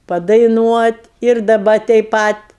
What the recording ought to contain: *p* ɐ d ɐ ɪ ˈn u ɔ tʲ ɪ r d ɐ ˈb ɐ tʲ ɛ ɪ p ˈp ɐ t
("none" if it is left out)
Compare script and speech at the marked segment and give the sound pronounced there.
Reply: p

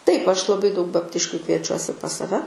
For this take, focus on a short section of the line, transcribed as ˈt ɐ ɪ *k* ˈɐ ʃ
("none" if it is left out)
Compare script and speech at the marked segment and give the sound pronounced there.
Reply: p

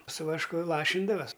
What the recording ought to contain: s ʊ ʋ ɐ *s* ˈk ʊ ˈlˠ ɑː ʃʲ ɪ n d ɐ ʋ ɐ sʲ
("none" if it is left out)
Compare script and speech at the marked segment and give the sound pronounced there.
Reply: ʃ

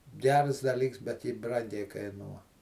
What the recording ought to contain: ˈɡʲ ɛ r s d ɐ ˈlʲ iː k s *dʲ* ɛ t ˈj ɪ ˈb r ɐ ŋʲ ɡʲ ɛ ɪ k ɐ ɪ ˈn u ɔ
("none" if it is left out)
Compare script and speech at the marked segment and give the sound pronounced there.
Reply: bʲ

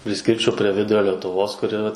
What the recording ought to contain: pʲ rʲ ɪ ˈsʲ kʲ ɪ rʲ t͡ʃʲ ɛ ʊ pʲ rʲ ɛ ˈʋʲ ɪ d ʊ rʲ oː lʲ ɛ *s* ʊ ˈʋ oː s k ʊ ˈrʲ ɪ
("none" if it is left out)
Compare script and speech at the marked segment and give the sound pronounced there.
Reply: t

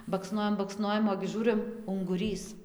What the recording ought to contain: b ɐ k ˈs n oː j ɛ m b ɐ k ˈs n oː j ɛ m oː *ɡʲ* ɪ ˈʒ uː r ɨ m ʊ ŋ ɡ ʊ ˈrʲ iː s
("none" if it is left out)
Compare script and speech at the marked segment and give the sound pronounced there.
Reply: ɡʲ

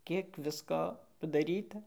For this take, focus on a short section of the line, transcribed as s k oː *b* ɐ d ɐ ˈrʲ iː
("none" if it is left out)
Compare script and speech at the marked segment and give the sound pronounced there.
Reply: p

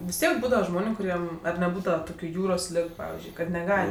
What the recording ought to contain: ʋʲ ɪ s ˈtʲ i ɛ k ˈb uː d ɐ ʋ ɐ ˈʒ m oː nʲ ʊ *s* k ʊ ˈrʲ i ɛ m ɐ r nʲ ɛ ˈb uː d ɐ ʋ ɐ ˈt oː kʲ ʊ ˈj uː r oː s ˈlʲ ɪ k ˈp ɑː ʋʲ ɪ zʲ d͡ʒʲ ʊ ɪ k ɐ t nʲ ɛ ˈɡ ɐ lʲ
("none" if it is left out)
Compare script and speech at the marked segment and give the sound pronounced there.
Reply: none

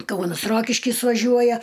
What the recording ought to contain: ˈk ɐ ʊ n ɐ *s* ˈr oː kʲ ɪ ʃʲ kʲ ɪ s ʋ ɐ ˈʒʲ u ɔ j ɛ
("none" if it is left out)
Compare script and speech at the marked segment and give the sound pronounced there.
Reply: s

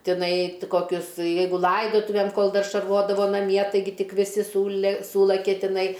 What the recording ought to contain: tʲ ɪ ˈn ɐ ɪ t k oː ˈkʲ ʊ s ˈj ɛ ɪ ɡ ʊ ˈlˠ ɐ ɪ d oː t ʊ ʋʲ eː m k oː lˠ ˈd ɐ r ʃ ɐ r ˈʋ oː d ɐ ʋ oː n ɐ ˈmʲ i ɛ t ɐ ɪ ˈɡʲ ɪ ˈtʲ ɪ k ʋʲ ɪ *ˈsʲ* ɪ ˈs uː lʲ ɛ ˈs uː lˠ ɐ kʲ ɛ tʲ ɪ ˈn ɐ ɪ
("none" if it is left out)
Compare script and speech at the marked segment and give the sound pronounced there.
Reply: sʲ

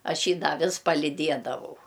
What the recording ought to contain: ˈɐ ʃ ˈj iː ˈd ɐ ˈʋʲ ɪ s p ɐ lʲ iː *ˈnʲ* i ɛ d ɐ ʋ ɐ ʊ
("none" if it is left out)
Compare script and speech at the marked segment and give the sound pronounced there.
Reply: dʲ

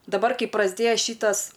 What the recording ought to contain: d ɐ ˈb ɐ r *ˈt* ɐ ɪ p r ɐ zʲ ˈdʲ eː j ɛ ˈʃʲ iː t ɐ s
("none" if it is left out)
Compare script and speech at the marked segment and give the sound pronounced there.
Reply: k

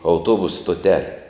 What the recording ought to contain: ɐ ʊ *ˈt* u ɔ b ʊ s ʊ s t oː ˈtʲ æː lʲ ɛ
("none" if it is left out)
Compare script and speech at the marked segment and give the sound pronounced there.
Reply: t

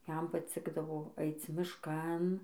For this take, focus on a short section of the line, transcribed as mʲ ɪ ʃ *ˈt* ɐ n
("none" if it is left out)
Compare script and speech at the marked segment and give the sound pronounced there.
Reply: k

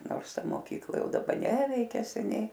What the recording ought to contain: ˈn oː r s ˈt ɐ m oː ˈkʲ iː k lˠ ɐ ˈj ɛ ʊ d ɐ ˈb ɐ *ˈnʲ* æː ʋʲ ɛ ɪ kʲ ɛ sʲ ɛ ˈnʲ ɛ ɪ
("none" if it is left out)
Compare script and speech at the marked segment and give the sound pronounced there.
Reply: nʲ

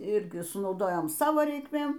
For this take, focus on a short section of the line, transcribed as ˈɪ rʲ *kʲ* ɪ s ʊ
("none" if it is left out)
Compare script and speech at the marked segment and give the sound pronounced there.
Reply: ɡʲ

